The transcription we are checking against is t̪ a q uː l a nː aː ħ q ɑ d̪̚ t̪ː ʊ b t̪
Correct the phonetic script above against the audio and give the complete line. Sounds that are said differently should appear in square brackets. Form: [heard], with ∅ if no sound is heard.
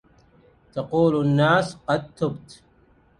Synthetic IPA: t̪ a q uː l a nː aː [s] q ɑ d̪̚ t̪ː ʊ b t̪